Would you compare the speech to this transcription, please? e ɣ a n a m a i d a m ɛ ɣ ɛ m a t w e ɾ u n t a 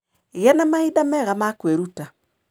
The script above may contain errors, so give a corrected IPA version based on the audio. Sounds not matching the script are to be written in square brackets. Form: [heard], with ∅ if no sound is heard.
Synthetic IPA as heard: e ɣ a n a m a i d a m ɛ ɣ [a] m a [k] w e ɾ u [∅] t a

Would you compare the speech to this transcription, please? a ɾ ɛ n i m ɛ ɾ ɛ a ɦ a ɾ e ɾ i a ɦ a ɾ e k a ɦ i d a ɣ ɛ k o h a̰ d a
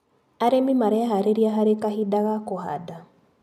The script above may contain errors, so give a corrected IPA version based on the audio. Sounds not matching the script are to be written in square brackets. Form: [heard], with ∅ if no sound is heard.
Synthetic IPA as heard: a ɾ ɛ [m] i m [a] ɾ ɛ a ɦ a ɾ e ɾ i a ɦ a ɾ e k a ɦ i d a ɣ [a] k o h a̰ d a

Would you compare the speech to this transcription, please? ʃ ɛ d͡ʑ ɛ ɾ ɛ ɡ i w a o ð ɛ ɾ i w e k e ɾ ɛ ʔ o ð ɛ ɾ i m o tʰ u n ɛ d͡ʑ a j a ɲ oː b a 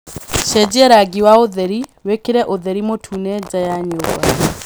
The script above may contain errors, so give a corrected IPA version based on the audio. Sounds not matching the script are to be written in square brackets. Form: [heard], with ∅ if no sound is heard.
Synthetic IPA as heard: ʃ ɛ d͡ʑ ɛ ɾ [a] ɡ i w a o ð ɛ ɾ i w e k e ɾ ɛ ʔ o ð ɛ ɾ i m o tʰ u n ɛ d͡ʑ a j a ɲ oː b a

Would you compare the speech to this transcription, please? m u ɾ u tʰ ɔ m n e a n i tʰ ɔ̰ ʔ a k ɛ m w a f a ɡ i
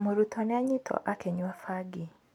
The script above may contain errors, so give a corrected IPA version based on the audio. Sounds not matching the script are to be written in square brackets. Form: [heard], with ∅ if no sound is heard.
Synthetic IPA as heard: m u ɾ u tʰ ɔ [∅] n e a [ɲ] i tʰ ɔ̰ ʔ a k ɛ [ɲ] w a f a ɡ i

